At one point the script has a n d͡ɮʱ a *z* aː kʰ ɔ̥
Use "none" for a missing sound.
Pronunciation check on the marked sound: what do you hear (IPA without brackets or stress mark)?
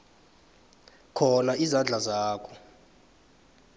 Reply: z